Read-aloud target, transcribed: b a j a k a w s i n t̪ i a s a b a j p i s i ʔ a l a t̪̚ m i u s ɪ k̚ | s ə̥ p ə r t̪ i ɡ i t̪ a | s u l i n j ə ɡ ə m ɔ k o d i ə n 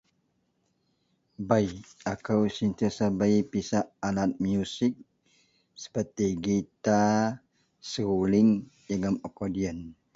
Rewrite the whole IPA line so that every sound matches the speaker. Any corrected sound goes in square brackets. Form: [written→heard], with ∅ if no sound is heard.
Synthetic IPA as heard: b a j a k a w s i n t̪ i a s a b a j p i s [i→a] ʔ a l a t̪̚ m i u s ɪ k̚ | s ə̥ p ə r t̪ i ɡ i t̪ a | s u l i [n→ŋ] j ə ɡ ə m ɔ k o d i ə n

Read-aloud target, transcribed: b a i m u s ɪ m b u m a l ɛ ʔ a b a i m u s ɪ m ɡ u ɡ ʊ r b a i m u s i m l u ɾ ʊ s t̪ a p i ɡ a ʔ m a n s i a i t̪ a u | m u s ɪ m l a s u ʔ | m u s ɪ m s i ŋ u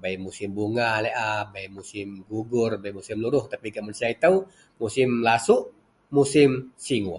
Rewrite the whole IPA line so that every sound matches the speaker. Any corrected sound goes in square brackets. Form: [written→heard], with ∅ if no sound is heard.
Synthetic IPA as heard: b a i m u s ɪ m b u [m→ŋ] a l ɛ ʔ a b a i m u s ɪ m ɡ u ɡ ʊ r b a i m u s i m l u ɾ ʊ [s→h] t̪ a p i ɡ a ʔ m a n s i a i t̪ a u | m u s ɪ m l a s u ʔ | m u s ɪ m s i ŋ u

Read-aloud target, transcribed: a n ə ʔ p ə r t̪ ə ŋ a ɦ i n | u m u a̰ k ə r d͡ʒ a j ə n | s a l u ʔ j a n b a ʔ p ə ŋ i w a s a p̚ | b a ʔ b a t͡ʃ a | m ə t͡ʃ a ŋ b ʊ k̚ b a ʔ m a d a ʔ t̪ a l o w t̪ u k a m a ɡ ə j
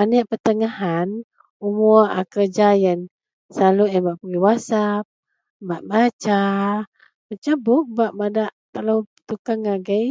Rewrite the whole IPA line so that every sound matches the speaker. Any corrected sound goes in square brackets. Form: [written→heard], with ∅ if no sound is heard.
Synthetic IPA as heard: a n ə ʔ p ə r t̪ ə ŋ a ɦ [i→a] n | u m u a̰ k ə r d͡ʒ a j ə n | s a l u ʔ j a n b a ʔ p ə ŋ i w a s a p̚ | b a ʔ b a t͡ʃ a | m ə t͡ʃ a [ŋ→∅] b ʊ k̚ b a ʔ m a d a ʔ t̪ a l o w t̪ u k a [m→ŋ] a ɡ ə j

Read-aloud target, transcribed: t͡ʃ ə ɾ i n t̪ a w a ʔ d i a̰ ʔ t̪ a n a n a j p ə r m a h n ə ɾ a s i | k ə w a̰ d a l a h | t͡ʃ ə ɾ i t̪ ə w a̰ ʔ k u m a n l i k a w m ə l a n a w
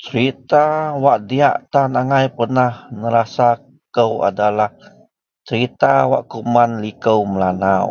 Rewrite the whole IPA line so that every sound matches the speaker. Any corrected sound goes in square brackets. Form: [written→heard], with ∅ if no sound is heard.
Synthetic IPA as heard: t͡ʃ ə ɾ i [n→∅] t̪ a w a ʔ d i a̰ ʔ t̪ a n a [n→ŋ] a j p ə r [m→n] a h n ə ɾ a s [i→a] | k ə w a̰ d a l a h | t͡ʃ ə ɾ i t̪ [ə→a] w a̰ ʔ k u m a n l i k [a→ə] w m ə l a n a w

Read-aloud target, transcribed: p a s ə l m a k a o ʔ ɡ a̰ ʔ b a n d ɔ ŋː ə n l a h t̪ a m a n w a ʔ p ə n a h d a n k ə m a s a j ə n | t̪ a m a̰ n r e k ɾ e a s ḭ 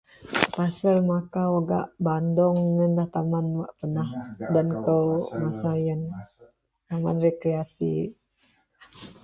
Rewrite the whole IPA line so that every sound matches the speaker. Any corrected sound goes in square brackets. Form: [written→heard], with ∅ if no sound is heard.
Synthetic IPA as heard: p a s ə l m a k a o [ʔ→∅] ɡ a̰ ʔ b a n d ɔ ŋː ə n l a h t̪ a m a n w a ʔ p ə n a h d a n k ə m a s a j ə n | t̪ a m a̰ n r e k ɾ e a s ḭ

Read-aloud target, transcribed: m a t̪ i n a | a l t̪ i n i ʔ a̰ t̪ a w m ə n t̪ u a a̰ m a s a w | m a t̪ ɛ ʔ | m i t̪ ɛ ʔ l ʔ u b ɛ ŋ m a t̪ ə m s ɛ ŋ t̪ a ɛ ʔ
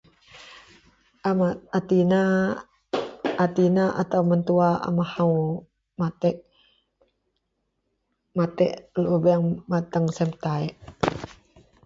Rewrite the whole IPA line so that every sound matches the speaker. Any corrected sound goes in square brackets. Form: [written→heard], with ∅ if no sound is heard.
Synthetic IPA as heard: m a t̪ i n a | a [l→∅] t̪ i n [i→a] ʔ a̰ t̪ a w m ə n t̪ u a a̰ m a [s→h] a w | m a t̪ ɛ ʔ | m [i→a] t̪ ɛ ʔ l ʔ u b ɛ ŋ m a t̪ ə [m→ŋ] s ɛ [ŋ→m] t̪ a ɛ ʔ

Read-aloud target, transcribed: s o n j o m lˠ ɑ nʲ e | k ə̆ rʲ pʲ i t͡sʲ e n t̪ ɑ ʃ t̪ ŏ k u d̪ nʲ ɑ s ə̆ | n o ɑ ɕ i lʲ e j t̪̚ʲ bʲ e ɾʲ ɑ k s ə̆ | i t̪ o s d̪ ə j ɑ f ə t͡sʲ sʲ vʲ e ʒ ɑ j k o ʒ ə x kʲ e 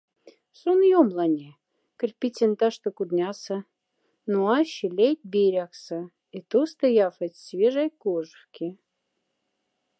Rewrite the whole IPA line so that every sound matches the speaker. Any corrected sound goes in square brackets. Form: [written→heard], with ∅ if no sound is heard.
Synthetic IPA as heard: s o n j o m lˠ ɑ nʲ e | k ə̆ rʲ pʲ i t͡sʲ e n t̪ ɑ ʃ t̪ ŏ k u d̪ nʲ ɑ s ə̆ | n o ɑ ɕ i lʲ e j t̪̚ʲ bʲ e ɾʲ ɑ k s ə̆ | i t̪ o s [d̪→t̪] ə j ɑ f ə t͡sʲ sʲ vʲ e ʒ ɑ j k o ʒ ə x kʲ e

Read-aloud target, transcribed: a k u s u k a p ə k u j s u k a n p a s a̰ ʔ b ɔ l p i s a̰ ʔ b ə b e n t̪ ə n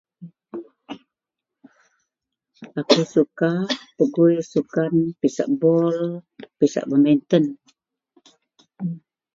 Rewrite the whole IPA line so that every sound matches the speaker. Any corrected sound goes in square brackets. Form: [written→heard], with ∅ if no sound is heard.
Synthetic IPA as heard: a k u s u k a p ə [k→ɡ] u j s u k a n p [a→i] s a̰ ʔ b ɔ l p i s a̰ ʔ b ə [b→m] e n t̪ ə n

